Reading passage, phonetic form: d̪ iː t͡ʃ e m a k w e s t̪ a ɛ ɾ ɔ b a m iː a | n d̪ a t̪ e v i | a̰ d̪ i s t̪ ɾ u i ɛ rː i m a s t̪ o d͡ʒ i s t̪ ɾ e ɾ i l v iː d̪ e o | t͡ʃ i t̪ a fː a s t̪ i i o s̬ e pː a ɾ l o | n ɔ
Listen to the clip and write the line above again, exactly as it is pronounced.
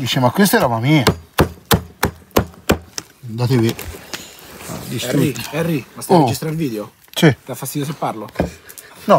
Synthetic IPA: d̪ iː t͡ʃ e m a k w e s t̪ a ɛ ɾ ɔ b a m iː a | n d̪ a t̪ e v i | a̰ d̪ i s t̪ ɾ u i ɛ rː i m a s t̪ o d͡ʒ i s t̪ ɾ a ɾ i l v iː d̪ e o | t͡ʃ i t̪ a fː a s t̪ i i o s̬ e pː a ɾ l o | n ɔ